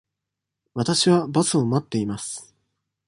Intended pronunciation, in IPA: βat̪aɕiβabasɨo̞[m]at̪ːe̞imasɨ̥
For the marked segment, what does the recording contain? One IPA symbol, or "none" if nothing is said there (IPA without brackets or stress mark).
m